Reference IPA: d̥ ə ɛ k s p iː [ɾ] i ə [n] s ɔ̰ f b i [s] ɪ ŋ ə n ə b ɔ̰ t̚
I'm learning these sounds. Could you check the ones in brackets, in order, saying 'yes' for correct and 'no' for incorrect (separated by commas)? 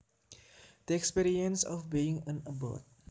yes, yes, no